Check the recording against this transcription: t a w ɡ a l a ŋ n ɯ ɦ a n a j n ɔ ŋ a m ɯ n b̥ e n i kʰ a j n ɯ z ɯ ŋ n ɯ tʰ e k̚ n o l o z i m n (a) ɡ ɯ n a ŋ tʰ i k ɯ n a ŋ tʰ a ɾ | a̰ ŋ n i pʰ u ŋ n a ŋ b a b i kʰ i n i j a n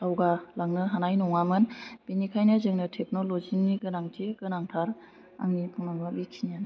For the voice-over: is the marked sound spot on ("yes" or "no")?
no